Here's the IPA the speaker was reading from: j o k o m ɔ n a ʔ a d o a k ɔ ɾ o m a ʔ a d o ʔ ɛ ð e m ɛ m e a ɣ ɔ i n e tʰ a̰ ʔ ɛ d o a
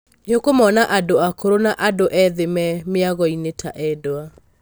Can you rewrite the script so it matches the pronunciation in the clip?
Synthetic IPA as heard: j o k o m ɔ n a ʔ a d o a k o ɾ o n a ʔ a d o ʔ ɛ ð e m ɛ m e a ɣ ɔ i n e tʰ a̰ ʔ ɛ d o a